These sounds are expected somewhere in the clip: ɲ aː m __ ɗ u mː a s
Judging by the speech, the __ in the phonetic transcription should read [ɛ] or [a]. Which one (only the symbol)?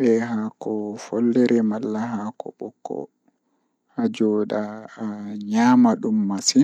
a